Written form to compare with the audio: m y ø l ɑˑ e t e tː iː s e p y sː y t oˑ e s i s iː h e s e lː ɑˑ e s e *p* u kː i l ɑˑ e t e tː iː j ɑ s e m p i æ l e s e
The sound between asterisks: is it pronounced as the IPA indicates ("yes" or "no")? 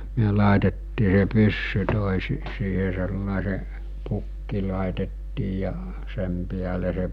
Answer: yes